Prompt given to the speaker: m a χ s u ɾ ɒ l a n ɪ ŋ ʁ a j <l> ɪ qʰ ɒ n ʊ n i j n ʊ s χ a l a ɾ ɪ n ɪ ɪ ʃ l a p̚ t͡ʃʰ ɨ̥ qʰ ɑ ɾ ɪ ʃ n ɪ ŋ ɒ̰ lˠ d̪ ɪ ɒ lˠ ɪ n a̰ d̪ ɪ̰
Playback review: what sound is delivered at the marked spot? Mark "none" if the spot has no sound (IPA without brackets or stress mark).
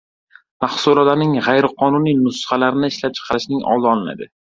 ɾ